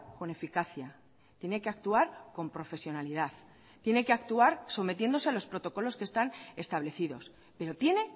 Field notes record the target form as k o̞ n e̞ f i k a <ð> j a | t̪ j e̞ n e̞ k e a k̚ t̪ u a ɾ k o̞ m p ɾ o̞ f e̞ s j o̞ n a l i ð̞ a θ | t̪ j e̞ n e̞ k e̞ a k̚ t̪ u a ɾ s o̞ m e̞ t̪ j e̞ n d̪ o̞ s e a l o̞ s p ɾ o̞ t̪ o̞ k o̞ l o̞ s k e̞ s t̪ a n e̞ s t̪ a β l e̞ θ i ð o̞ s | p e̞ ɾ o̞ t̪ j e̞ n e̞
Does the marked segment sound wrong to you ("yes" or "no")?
yes